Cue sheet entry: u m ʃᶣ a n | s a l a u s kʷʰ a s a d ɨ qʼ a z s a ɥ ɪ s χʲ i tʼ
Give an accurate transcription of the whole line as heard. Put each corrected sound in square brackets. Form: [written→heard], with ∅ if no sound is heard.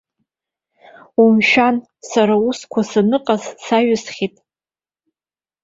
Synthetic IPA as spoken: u m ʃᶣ a n | s a [l→ɾ] a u s kʷʰ a s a [d→n] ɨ qʼ a z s a ɥ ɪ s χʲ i tʼ